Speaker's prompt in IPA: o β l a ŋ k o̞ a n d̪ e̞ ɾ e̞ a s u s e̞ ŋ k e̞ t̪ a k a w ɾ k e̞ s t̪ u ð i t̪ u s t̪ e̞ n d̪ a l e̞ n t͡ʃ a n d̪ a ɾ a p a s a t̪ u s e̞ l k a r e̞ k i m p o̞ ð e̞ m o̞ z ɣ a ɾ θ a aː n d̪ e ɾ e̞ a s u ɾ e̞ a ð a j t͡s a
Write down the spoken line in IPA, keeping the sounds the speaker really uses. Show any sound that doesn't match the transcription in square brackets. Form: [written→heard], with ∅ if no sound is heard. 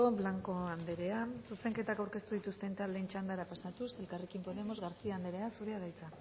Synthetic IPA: o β l a ŋ k o̞ a n d̪ e̞ ɾ e̞ a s u s e̞ ŋ k e̞ t̪ a k a w ɾ k e̞ s t̪ u ð i t̪ u s t̪ e̞ n [d̪→t̪] a l e̞ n t͡ʃ a n d̪ a ɾ a p a s a t̪ u s e̞ l k a r e̞ k i m p o̞ ð e̞ m o̞ z ɣ a ɾ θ [a→i] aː n d̪ e ɾ e̞ a s u ɾ e̞ a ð a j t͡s a